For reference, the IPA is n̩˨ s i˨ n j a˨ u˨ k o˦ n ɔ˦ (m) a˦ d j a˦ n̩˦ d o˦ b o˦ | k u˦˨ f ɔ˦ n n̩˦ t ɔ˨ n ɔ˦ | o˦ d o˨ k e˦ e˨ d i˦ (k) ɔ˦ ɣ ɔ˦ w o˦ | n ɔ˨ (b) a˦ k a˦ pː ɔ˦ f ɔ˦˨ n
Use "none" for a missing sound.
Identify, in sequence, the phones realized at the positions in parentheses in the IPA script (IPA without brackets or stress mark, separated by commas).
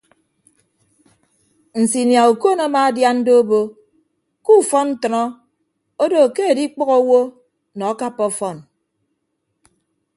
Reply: m, k͡p, none